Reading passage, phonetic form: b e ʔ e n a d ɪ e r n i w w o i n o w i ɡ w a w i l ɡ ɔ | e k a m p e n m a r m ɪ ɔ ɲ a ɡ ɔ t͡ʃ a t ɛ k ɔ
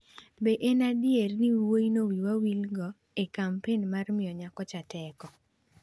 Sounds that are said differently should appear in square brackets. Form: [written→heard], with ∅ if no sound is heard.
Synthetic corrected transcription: b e ʔ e n a d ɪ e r n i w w o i n o w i [ɡ→∅] w a w i l ɡ ɔ | e k a m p e n m a r m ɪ ɔ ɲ a [ɡ→k] ɔ t͡ʃ a t ɛ k ɔ